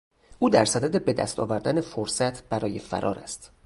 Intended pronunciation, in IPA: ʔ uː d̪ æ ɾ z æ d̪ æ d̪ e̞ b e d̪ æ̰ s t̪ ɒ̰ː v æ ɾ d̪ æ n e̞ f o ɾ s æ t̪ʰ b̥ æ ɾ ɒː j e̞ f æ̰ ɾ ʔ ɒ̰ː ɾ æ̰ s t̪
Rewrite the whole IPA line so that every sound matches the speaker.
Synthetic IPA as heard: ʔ uː d̪ æ ɾ s æ d̪ æ d̪ e̞ b e d̪ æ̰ s t̪ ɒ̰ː v æ ɾ d̪ æ n e̞ f o ɾ s æ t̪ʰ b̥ æ ɾ ɒː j e̞ f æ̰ ɾ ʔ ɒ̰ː ɾ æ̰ s t̪